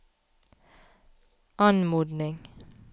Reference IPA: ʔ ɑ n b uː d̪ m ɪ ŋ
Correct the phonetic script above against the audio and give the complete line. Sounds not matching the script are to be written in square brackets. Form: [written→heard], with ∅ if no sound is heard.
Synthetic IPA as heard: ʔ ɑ n [b→m] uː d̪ [m→n] ɪ ŋ